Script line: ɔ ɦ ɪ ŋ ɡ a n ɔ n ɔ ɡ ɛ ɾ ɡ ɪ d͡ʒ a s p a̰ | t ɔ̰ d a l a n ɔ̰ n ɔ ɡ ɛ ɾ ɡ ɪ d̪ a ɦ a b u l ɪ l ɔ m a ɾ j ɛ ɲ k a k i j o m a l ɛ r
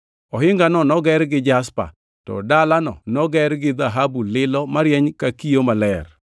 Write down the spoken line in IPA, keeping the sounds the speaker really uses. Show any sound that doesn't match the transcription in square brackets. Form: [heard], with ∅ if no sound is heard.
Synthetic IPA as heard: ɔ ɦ ɪ ŋ ɡ a n ɔ n ɔ ɡ ɛ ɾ ɡ ɪ d͡ʒ a s p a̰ | t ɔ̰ d a l a n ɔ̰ n ɔ ɡ ɛ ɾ ɡ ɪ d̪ a ɦ a b u l ɪ l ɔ m a ɾ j ɛ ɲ k a k i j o m a l ɛ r